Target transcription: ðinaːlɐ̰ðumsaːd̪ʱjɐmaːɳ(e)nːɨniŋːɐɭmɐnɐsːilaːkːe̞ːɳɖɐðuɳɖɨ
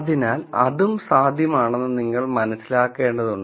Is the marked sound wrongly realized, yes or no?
no